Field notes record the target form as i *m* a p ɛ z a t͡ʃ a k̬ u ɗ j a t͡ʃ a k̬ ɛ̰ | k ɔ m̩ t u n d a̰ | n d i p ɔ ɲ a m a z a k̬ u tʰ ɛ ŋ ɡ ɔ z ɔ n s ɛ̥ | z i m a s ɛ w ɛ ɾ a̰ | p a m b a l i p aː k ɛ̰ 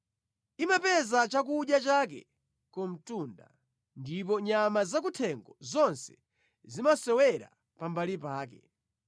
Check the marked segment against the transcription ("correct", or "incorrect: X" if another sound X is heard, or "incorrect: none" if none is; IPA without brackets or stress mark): correct